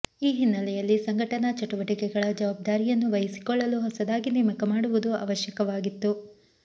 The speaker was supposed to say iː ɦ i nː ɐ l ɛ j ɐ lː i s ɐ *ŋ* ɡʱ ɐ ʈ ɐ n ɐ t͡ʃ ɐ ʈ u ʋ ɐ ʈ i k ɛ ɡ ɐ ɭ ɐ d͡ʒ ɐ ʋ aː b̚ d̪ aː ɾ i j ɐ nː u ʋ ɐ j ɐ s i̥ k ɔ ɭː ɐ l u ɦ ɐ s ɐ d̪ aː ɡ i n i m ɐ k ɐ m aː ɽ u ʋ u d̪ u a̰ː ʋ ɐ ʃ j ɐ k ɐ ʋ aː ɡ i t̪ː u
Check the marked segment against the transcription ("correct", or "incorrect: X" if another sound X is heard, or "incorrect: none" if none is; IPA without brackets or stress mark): correct